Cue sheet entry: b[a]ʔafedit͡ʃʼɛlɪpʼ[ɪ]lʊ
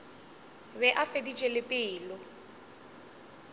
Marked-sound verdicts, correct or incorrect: incorrect: ɛ, incorrect: ɪː

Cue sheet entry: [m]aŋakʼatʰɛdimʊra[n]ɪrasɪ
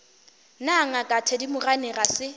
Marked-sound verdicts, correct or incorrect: incorrect: n, correct

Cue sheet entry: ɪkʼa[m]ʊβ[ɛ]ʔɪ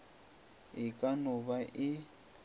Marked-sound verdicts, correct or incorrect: incorrect: n, incorrect: a

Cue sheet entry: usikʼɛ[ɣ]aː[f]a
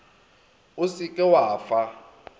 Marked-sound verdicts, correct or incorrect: incorrect: w, correct

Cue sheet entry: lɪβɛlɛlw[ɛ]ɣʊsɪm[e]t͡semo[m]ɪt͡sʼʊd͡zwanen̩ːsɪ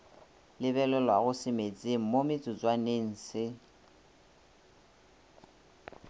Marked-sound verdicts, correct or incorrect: incorrect: a, correct, correct

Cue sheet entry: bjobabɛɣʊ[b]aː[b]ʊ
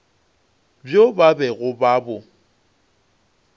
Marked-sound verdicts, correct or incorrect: correct, correct

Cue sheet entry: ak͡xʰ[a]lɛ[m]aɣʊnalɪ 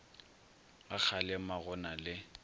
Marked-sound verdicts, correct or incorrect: correct, correct

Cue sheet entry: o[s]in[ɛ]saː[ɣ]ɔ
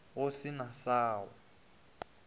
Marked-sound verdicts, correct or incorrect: correct, incorrect: a, incorrect: w

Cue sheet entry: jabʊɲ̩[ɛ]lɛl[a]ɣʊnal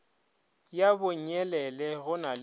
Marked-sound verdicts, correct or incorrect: correct, incorrect: ɛ

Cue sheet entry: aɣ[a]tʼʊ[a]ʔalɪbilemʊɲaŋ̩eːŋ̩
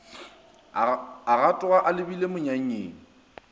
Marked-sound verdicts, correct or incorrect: correct, correct

